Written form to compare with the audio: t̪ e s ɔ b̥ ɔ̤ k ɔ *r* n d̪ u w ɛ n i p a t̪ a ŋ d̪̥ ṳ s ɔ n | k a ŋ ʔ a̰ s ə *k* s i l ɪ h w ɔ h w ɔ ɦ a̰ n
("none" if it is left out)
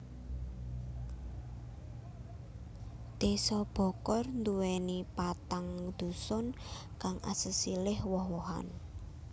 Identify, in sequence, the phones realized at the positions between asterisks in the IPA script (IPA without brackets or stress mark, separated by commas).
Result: r, none